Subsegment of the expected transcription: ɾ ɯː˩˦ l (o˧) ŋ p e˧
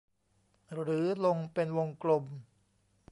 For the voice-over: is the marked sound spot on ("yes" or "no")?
yes